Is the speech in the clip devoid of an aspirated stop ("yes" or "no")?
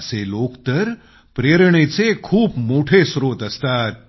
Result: no